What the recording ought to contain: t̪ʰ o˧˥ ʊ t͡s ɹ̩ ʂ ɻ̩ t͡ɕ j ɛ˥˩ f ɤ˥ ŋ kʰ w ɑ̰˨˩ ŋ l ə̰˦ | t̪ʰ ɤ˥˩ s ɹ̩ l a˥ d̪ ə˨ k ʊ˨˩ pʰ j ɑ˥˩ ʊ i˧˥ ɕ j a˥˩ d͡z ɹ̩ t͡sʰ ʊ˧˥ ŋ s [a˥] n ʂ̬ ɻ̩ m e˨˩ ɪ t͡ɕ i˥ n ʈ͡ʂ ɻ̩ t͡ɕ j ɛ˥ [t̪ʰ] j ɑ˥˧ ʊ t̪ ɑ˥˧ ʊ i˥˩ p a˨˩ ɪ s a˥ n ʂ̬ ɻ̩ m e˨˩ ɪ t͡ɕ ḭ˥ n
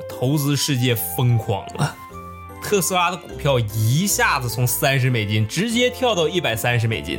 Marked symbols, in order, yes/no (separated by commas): yes, yes